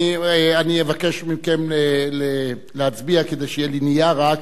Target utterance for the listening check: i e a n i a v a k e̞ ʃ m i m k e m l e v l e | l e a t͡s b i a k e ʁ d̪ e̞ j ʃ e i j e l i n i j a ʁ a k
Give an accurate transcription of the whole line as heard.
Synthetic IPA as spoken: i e a n i e v a k e̞ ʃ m i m k e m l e l e | l e a t͡s b i a k e d̪ e̞ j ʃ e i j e l i n i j a ʁ a k